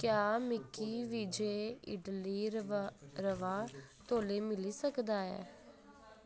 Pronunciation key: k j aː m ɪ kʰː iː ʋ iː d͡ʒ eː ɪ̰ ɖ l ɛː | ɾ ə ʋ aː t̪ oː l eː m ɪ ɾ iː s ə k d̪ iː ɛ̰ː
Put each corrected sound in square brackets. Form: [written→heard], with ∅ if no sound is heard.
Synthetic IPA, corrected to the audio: k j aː m ɪ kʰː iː ʋ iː d͡ʒ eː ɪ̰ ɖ l [ɛː→iː] | ɾ ə ʋ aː t̪ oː l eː m ɪ [ɾ→l] iː s ə k d̪ [iː→aː] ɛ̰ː

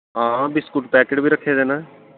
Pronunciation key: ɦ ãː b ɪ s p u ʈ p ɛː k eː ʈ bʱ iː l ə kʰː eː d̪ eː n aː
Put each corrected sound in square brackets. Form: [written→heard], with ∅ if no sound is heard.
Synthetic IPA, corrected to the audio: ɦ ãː b ɪ s [p→k] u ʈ p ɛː k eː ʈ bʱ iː [l→ɾ] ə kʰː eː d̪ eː n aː

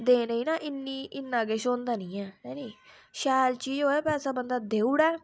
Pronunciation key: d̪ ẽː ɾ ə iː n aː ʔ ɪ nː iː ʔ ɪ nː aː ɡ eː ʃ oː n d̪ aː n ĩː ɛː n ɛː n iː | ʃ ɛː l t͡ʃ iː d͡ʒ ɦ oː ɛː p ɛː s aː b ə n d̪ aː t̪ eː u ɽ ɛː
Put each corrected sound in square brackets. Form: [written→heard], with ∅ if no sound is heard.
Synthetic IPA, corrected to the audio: d̪ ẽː ɾ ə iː n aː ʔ ɪ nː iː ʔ ɪ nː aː ɡ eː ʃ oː n d̪ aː n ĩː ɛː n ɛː n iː | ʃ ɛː l t͡ʃ iː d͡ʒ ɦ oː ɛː p ɛː s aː b ə n d̪ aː [t̪→d̪] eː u ɽ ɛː

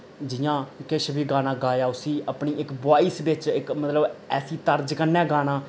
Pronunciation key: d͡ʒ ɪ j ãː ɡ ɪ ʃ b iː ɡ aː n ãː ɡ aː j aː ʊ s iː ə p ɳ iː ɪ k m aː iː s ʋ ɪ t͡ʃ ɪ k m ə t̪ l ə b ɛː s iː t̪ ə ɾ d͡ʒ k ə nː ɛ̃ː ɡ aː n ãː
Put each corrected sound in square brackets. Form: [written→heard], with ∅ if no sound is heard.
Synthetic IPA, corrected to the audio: d͡ʒ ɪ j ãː [ɡ→k] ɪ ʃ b iː ɡ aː n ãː ɡ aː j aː ʊ s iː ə p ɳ iː ɪ k [m→b] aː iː s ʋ ɪ t͡ʃ ɪ k m ə t̪ l ə b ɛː s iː t̪ ə ɾ d͡ʒ k ə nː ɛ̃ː ɡ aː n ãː

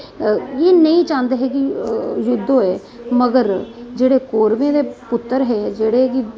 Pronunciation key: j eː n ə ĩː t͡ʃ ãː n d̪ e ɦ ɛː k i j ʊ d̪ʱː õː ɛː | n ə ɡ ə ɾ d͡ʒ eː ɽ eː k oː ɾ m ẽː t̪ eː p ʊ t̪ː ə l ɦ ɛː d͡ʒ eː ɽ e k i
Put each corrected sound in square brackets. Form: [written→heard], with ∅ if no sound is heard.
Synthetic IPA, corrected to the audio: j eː n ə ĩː t͡ʃ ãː n d̪ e ɦ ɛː k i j ʊ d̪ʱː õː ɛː | [n→m] ə ɡ ə ɾ d͡ʒ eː ɽ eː k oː ɾ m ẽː [t̪→d̪] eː p ʊ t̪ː ə [l→ɾ] ɦ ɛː d͡ʒ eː ɽ e k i

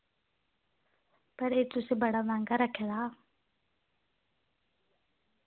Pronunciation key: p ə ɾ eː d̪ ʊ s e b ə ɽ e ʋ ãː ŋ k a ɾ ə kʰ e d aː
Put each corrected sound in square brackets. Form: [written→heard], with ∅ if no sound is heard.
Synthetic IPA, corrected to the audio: p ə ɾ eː [d̪→t̪] ʊ s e b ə ɽ [e→a] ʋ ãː ŋ [k→ɡ] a ɾ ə kʰ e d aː

